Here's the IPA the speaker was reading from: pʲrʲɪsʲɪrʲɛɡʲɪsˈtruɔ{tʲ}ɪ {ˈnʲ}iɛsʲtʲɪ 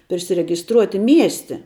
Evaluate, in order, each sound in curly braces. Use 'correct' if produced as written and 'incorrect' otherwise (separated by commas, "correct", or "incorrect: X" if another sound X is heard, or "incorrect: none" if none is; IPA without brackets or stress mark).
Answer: correct, incorrect: mʲ